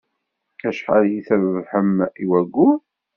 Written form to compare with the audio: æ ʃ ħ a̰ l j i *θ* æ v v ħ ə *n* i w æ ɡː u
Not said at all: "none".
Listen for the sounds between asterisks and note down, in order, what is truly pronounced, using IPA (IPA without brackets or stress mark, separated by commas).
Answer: θ, m